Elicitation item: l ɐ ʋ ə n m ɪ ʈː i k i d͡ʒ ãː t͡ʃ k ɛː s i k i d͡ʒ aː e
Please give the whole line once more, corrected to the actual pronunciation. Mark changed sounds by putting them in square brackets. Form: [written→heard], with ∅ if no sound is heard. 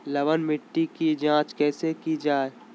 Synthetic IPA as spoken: l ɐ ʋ ə n m ɪ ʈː i k i d͡ʒ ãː t͡ʃ k ɛː s [i→e] k i d͡ʒ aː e

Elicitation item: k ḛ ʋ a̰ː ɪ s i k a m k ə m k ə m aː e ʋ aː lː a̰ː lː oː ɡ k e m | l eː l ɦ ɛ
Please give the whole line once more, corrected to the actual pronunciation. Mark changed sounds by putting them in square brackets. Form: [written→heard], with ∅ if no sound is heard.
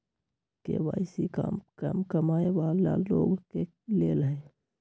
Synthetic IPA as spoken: k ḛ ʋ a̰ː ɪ s i k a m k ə m k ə m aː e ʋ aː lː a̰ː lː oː ɡ k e [m→∅] | l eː l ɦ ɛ

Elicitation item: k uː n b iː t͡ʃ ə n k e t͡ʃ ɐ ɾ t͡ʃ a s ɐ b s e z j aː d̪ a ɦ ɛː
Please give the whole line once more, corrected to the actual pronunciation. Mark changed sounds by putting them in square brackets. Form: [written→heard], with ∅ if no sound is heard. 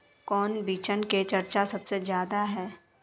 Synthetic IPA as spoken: k [uː→ɔː] n b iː t͡ʃ ə n k e t͡ʃ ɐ ɾ t͡ʃ a s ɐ b s e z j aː d̪ a ɦ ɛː

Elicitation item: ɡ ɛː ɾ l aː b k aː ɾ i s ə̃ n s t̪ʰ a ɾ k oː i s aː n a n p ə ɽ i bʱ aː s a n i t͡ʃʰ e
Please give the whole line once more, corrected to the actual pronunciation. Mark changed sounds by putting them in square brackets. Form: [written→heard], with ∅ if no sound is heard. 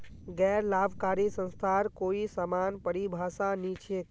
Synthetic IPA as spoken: ɡ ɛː ɾ l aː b k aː ɾ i s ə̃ n s t̪ʰ a ɾ k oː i s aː [n→m] a n p ə ɽ i bʱ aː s a n i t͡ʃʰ e

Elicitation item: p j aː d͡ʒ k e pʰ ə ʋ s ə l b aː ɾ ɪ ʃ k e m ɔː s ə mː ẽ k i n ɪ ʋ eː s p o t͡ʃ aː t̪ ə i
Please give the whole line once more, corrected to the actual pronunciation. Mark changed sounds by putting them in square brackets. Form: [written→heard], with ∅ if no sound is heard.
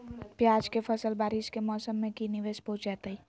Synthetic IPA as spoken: p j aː d͡ʒ k e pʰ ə [ʋ→∅] s ə l b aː ɾ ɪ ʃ k e m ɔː s ə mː ẽ k i n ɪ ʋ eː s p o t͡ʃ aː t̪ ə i

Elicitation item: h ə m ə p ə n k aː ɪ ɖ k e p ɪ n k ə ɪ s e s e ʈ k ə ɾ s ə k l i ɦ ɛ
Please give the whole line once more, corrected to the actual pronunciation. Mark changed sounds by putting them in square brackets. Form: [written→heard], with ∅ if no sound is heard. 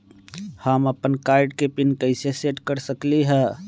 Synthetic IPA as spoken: h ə m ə p ə n k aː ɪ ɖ k e p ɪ n k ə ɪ s e s e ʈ k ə ɾ s ə k l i ɦ ɛ

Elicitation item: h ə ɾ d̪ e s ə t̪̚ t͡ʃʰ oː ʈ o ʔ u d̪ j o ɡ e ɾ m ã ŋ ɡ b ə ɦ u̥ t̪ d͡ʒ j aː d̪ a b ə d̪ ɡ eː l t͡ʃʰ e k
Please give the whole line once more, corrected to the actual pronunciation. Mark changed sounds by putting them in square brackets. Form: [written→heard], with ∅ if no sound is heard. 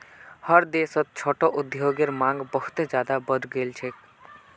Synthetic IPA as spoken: h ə ɾ d̪ e s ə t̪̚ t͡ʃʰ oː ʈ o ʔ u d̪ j o ɡ e ɾ m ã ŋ ɡ b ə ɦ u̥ t̪ d͡ʒ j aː d̪ a b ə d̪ ɡ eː l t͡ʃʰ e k

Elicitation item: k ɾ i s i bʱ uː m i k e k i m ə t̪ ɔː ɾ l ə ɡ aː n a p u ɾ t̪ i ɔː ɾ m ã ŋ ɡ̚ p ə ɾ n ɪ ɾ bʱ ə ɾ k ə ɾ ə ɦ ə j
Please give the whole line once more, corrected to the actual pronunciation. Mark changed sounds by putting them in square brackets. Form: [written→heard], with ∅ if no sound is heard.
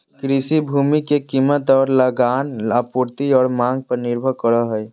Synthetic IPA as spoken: k ɾ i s i bʱ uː m i k e k i m ə t̪ ɔː ɾ l ə ɡ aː n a p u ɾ t̪ i ɔː ɾ m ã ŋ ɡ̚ p ə ɾ n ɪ ɾ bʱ ə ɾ k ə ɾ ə ɦ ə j

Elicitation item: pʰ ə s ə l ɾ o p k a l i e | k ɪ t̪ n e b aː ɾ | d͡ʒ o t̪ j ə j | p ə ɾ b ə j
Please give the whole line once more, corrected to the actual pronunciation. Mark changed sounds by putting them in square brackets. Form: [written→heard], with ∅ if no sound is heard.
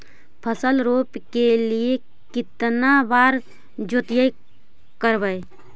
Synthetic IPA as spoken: pʰ ə s ə l ɾ o p k [a→e] l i e | k ɪ t̪ n [e→a] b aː ɾ | d͡ʒ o t̪ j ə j | [p→k] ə ɾ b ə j

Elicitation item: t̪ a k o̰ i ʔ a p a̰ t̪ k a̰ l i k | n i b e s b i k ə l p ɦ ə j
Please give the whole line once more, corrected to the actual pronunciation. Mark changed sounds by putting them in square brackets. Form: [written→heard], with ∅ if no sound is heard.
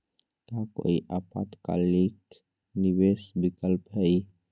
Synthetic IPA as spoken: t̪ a k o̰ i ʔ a p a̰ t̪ k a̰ l i k | n i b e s b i k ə l p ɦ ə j

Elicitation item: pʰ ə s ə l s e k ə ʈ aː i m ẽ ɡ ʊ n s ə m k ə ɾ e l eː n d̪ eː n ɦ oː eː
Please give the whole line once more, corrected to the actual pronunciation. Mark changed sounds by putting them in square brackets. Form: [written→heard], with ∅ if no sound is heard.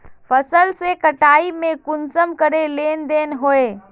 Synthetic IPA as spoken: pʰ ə s ə l s e k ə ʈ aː i m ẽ [ɡ→k] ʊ n s ə m k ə ɾ e l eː n d̪ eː n ɦ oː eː

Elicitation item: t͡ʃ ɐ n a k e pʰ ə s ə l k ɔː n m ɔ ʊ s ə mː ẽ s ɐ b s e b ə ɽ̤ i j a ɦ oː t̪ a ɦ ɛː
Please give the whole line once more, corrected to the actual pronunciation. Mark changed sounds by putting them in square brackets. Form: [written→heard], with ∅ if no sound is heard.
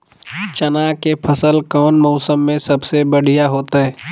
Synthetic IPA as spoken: t͡ʃ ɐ n a k e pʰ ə s ə l k ɔː n m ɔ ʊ s ə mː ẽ s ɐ b s e b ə ɽ̤ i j a ɦ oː t̪ a ɦ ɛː

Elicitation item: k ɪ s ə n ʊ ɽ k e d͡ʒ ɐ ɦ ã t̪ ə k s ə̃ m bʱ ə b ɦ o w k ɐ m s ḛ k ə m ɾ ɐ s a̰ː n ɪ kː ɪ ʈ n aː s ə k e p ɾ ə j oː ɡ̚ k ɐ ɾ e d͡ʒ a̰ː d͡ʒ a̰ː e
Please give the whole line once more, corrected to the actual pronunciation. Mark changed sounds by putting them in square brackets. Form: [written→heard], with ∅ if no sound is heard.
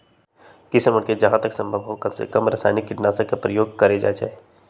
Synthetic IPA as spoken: k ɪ s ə [n→m] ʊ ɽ k e d͡ʒ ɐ ɦ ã t̪ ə k s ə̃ m bʱ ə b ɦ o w k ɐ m s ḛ k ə m ɾ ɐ s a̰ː n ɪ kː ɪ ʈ n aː s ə k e p ɾ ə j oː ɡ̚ k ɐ ɾ e d͡ʒ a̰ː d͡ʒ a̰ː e

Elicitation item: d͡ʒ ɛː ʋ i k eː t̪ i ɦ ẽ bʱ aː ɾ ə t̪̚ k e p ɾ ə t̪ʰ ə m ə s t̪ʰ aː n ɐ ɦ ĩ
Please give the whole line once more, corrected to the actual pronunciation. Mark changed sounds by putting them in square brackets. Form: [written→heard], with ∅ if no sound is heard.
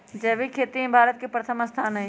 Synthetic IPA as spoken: d͡ʒ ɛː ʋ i [k→kʰ] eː t̪ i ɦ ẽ bʱ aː ɾ ə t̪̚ k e p ɾ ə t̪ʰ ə m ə s t̪ʰ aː n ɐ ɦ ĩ

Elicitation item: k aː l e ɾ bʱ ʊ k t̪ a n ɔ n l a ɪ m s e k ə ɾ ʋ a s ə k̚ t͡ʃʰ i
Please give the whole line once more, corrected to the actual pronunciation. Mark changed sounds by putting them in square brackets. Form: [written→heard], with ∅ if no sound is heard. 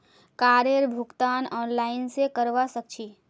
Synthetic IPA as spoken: k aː [l→ɾ] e ɾ bʱ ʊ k t̪ a n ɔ n l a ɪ [m→n] s e k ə ɾ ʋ a s ə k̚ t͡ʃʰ i

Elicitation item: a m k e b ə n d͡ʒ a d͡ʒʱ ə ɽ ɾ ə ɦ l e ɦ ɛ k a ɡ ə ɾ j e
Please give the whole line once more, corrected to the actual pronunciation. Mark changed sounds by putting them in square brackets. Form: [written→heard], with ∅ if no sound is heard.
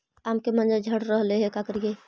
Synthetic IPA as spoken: a m k e [b→m] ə n d͡ʒ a d͡ʒʱ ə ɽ ɾ ə ɦ l e ɦ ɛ k a [ɡ→k] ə ɾ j e

